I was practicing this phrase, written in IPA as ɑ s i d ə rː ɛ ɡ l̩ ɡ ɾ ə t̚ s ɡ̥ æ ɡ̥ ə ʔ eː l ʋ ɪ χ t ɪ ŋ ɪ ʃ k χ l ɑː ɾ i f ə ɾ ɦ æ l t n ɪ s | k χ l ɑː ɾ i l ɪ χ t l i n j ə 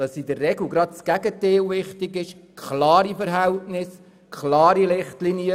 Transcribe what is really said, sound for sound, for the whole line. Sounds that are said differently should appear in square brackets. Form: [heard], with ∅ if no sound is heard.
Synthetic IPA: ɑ s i d ə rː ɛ ɡ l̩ ɡ ɾ [ɑ] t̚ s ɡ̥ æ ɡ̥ ə [t] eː l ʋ ɪ χ t ɪ [ɡ] ɪ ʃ k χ l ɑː ɾ i f ə ɾ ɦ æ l t n ɪ s | k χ l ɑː ɾ i l ɪ χ t l i n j ə